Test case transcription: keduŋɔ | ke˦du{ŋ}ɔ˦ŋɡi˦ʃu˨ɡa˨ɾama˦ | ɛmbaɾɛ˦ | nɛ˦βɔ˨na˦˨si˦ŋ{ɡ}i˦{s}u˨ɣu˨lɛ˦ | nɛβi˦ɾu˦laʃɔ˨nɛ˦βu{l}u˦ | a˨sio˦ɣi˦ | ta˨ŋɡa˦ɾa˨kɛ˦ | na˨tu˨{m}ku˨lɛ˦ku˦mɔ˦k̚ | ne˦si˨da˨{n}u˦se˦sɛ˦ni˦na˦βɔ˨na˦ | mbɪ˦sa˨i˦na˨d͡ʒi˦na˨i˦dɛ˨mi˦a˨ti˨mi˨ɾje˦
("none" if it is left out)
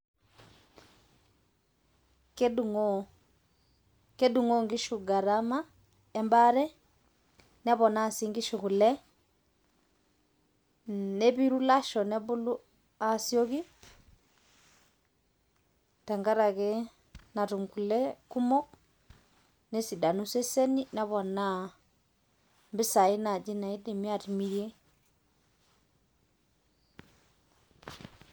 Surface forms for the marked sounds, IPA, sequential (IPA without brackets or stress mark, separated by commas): ŋ, ɡ, ʃ, l, ŋ, n